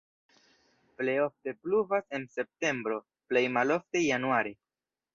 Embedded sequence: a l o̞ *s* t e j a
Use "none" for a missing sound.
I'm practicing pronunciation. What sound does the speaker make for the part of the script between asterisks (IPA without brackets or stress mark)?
f